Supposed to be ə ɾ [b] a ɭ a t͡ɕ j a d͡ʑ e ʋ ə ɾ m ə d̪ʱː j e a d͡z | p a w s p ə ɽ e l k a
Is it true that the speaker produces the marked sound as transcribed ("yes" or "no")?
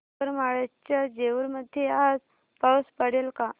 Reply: no